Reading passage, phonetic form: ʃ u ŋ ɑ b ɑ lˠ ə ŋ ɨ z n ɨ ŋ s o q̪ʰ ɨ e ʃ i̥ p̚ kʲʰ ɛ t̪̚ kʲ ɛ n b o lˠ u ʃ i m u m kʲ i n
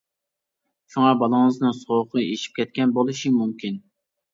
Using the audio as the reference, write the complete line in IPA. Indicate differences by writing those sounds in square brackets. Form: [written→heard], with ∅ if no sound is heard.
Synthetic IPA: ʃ u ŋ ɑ b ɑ lˠ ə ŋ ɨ z n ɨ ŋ s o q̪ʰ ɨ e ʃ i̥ p̚ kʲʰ ɛ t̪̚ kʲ ɛ n b o lˠ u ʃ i m u m kʲ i n